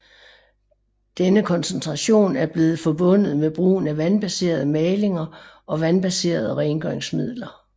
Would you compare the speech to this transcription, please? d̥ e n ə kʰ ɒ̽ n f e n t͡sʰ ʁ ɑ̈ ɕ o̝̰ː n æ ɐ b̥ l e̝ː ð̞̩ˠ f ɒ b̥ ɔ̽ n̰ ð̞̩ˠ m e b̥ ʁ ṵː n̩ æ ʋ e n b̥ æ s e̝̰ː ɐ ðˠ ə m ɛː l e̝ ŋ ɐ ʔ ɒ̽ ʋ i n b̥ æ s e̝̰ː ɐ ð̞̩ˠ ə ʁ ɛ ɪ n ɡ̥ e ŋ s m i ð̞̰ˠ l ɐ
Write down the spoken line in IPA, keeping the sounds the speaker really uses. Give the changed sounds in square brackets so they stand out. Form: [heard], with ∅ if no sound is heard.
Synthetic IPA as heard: d̥ e n ə kʰ ɒ̽ n [s] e n t͡sʰ ʁ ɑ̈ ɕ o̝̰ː n æ ɐ b̥ l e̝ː ð̞̩ˠ f ɒ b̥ ɔ̽ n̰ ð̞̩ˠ m e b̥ ʁ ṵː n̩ æ ʋ [æ] n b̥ æ s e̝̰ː ɐ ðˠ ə m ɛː l e̝ ŋ ɐ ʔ ɒ̽ ʋ [æ] n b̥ æ s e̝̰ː ɐ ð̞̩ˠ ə ʁ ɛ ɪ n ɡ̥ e ŋ s m i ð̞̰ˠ l ɐ